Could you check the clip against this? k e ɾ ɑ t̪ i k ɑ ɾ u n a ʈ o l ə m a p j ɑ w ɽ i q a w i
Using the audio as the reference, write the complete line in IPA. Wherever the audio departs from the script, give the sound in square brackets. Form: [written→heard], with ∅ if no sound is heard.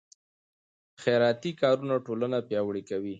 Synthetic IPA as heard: [k→x] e ɾ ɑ t̪ i k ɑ ɾ u n a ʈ o l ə [m→n] a p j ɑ w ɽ i [q→k] a w i